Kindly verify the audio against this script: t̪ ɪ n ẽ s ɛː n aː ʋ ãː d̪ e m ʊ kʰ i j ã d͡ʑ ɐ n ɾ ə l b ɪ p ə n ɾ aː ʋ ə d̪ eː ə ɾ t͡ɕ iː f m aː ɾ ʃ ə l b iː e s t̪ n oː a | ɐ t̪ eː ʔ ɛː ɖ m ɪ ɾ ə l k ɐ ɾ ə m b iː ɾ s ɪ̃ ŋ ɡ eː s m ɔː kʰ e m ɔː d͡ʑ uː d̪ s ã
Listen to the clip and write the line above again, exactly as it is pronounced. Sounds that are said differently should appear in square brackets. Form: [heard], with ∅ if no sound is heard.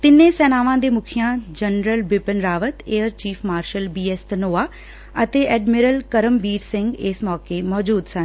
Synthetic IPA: t̪ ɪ n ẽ s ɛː n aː ʋ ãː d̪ e m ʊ kʰ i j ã d͡ʑ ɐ n ɾ ə l b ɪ p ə n ɾ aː ʋ ə [t̪] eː ə ɾ t͡ɕ iː f m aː ɾ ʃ ə l b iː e s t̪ n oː a | ɐ t̪ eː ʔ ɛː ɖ m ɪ ɾ ə l k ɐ ɾ ə m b iː ɾ s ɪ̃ ŋ ɡ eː s m ɔː [k] e m ɔː d͡ʑ uː d̪ s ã

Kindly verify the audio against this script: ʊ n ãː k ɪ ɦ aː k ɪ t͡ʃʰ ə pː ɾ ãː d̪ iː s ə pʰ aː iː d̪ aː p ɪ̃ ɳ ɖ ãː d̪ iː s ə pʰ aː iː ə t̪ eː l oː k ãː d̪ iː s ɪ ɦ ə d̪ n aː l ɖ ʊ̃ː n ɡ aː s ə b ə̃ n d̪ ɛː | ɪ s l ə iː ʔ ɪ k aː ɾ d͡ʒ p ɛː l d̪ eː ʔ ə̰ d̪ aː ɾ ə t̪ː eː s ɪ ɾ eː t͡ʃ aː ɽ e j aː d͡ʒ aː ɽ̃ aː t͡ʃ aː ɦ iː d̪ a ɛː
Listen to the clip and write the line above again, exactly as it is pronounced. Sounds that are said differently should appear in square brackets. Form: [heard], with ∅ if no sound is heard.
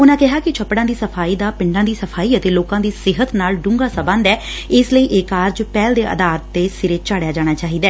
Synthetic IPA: ʊ n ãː k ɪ ɦ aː k ɪ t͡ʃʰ ə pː [ɽ] ãː d̪ iː s ə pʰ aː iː d̪ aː p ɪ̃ ɳ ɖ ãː d̪ iː s ə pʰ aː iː ə t̪ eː l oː k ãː d̪ iː s ɪ ɦ ə [t̪] n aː l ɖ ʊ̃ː [ŋ] ɡ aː s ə b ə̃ n d̪ ɛː | ɪ s l ə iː ʔ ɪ k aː ɾ d͡ʒ p ɛː l d̪ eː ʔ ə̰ d̪ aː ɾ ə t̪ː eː s ɪ ɾ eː t͡ʃ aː ɽ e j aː d͡ʒ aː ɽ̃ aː t͡ʃ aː ɦ iː d̪ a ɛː

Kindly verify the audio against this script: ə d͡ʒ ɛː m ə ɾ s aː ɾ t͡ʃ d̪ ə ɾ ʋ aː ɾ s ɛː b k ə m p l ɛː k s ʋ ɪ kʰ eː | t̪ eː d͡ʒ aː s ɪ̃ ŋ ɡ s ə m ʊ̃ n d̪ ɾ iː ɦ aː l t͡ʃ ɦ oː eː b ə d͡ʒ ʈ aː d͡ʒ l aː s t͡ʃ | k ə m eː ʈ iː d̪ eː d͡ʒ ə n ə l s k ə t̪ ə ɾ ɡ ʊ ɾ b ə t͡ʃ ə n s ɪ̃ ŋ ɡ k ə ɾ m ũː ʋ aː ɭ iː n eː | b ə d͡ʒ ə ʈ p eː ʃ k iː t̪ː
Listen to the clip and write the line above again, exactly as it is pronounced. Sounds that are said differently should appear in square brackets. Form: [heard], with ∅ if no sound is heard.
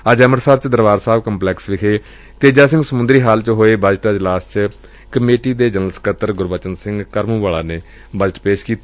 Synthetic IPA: ə d͡ʒ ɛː m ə ɾ s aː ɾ t͡ʃ d̪ ə ɾ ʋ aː ɾ s [aː] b k ə m p l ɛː k s ʋ ɪ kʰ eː | t̪ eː d͡ʒ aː s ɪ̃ ŋ ɡ s ə m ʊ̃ n d̪ ɾ iː ɦ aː l t͡ʃ ɦ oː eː b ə d͡ʒ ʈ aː d͡ʒ l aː s t͡ʃ | k ə m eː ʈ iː d̪ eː d͡ʒ ə n ə l s k ə t̪ ə ɾ ɡ ʊ ɾ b ə t͡ʃ ə n s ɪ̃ ŋ ɡ k ə ɾ m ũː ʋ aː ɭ [aː] n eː | b ə d͡ʒ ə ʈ p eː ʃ k iː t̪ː

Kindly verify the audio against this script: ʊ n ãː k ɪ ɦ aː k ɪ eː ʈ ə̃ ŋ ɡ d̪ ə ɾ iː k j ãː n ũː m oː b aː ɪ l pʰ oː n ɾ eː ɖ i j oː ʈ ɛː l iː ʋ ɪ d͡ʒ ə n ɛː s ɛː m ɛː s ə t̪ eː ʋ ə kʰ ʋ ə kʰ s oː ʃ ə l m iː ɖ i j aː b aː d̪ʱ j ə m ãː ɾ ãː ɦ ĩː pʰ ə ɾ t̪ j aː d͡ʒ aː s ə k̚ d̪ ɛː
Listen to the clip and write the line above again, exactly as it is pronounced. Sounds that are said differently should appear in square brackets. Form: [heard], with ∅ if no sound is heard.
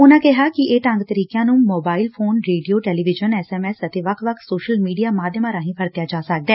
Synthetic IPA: ʊ n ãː k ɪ ɦ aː k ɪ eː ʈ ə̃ ŋ ɡ [t̪] ə ɾ iː k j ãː n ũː m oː b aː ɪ l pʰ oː n ɾ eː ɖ i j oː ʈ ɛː l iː ʋ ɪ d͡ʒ ə n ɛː s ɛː m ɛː s ə t̪ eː ʋ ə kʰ ʋ ə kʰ s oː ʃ ə l m iː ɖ i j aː [m] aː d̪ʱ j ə m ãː ɾ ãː ɦ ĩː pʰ ə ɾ t̪ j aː d͡ʒ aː s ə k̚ d̪ ɛː

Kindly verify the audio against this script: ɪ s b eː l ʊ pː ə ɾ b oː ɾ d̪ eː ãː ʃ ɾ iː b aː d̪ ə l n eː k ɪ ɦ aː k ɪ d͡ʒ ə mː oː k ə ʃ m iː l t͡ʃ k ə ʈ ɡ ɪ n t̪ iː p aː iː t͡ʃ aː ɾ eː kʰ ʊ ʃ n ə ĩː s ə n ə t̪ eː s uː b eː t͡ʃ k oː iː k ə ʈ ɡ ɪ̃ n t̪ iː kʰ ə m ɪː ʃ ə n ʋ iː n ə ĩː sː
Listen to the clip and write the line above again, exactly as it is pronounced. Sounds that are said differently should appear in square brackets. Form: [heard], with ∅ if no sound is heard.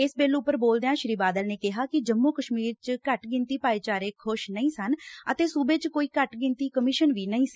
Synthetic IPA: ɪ s b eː l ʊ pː ə ɾ b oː [l] d̪ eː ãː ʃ ɾ iː b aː d̪ ə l n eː k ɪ ɦ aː k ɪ d͡ʒ ə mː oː k ə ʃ m iː [ɾ] t͡ʃ k ə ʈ ɡ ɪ n t̪ iː p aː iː t͡ʃ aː ɾ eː kʰ ʊ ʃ n ə ĩː s ə n ə t̪ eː s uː b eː t͡ʃ k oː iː k ə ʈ ɡ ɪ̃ n t̪ iː [k] ə m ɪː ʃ ə n ʋ iː n ə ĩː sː

